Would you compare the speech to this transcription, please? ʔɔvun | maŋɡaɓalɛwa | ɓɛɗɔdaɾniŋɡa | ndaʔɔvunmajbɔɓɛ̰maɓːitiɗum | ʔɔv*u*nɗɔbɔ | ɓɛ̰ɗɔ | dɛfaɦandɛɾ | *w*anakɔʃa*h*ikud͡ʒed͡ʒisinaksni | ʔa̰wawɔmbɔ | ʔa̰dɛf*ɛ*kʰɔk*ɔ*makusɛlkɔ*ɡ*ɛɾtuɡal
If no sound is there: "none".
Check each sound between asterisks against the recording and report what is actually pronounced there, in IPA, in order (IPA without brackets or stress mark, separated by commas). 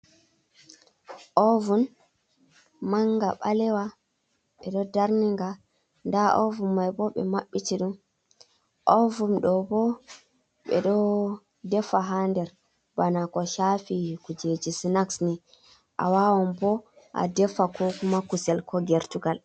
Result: u, b, f, a, u, ɡ